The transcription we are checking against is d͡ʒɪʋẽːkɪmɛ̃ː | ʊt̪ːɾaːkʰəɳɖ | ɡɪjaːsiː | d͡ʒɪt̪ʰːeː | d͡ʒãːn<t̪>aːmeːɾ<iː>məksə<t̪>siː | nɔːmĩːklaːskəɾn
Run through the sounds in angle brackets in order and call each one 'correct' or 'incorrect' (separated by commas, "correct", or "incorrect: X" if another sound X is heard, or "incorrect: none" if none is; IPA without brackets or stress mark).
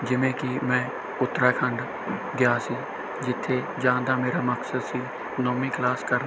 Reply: incorrect: d̪, incorrect: aː, incorrect: d̪